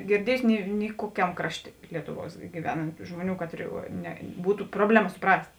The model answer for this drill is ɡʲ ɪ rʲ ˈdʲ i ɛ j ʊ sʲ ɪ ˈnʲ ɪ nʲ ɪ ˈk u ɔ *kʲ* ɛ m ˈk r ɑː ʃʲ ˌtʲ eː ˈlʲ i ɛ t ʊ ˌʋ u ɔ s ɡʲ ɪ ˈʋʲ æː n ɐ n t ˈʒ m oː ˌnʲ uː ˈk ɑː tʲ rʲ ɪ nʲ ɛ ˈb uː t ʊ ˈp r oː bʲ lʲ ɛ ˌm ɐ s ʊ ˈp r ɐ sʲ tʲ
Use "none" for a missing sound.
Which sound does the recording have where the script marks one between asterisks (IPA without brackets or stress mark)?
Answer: kʲ